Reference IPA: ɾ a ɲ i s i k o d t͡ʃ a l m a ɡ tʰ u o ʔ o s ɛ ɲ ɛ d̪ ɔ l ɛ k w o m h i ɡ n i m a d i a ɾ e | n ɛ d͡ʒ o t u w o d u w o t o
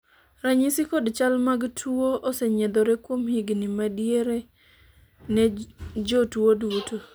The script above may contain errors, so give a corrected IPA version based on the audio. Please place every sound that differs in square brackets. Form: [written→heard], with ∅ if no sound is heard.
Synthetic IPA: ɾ a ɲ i s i k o d t͡ʃ a l m a ɡ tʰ u o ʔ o s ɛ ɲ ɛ d̪ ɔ [l→ɾ] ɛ k w o m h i ɡ n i m a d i [a→e] ɾ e | n ɛ d͡ʒ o t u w o d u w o t o